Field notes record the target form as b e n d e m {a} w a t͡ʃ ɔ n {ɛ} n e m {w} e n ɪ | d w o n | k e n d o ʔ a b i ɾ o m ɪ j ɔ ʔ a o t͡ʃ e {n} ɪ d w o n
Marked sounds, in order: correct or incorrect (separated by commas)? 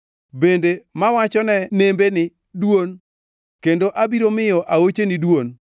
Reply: correct, correct, incorrect, correct